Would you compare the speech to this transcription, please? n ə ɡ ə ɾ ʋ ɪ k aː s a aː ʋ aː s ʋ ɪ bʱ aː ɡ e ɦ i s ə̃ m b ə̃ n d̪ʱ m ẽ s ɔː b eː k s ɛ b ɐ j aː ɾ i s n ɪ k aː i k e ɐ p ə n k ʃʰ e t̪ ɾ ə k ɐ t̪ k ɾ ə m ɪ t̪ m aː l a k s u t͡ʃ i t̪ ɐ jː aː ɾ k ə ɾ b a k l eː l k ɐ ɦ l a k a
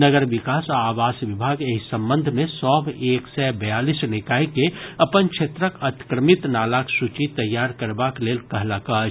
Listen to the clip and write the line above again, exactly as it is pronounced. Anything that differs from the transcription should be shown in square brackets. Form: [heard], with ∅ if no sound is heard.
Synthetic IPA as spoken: n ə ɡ ə ɾ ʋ ɪ k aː s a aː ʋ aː s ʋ ɪ bʱ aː ɡ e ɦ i s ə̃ m b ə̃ n d̪ʱ m ẽ s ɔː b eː k s ɛ b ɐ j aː [l] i s n ɪ k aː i k e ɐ p ə n k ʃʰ e t̪ ɾ ə k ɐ t̪ k ɾ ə m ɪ t̪ [n] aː l a k s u t͡ʃ i t̪ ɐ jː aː ɾ k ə ɾ b a k l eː l k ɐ ɦ l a k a